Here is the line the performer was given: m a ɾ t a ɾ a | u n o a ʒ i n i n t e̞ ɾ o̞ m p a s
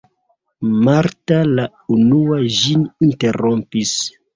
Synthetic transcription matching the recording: m a ɾ t a l a | u n u a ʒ i n i n t e̞ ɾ o̞ m p i s